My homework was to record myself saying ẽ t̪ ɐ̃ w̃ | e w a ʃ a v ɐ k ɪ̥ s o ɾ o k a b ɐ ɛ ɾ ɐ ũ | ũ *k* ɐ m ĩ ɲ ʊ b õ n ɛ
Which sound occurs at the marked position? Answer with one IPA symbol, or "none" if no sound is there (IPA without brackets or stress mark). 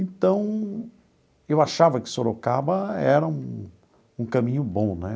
k